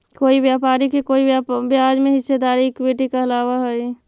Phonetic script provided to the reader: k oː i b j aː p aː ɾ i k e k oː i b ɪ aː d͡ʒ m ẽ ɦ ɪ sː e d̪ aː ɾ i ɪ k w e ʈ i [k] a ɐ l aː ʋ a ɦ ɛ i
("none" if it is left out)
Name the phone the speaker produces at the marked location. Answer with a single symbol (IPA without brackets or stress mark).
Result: k